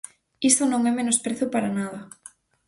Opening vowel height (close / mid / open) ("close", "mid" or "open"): close